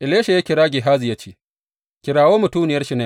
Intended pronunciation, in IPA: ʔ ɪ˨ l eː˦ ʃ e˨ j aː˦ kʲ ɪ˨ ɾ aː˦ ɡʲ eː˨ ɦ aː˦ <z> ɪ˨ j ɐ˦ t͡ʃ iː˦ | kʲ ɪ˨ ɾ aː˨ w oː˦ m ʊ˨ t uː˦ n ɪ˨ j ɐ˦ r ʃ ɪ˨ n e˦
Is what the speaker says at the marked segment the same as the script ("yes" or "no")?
yes